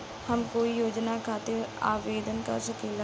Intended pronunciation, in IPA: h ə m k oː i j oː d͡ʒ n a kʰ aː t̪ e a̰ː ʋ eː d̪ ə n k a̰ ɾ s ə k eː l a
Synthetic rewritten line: h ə m k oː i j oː d͡ʒ n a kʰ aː t̪ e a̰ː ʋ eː d̪ ə n k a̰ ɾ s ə k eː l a